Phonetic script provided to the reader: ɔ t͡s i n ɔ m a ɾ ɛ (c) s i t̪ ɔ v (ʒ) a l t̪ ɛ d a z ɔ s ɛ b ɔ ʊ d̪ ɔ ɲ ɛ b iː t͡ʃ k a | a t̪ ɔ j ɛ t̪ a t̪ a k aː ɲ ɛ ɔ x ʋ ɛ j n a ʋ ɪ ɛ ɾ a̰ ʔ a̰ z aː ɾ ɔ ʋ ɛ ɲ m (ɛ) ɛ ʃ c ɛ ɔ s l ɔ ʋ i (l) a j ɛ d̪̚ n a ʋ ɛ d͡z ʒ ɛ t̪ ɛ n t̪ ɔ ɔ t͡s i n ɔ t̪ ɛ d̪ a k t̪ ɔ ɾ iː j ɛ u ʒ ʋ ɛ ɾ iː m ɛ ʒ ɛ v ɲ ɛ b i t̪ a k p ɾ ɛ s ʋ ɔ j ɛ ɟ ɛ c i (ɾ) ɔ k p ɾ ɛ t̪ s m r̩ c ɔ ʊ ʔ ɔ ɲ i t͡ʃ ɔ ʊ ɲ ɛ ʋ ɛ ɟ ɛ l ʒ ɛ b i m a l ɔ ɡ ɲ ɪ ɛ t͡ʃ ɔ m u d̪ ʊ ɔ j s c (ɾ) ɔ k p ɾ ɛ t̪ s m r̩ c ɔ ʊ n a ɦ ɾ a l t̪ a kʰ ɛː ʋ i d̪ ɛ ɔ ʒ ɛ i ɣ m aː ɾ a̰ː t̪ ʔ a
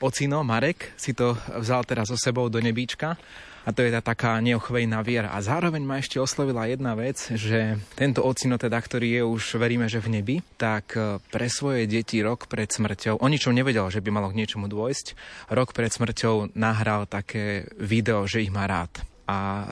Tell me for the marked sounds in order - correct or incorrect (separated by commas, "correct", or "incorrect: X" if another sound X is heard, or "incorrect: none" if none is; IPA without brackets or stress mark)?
incorrect: k, incorrect: z, incorrect: a, correct, correct, correct